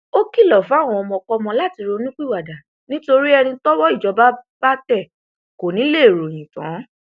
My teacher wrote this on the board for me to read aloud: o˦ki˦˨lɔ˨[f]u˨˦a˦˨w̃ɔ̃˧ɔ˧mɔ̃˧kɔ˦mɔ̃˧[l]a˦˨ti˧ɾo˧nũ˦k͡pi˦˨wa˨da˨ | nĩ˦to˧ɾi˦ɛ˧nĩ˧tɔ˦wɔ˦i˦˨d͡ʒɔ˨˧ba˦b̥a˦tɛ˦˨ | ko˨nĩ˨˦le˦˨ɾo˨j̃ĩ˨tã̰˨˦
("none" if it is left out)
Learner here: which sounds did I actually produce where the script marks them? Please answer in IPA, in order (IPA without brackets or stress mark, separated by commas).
f, l